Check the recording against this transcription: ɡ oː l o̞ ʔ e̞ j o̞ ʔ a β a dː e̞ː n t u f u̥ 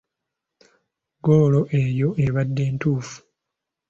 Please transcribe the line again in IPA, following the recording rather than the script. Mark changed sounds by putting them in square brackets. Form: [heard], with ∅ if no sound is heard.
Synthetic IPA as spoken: ɡ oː l o̞ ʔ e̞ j o̞ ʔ [e] β a dː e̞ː n t [uː] f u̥